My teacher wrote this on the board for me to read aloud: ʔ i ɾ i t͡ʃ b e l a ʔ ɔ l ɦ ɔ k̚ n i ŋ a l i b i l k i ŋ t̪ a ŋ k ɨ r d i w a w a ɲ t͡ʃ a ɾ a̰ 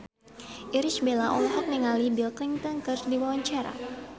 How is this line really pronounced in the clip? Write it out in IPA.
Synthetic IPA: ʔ i ɾ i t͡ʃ b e l a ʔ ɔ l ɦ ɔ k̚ n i ŋ a l i b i l k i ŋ t̪ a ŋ k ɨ r d i w a w a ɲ t͡ʃ a ɾ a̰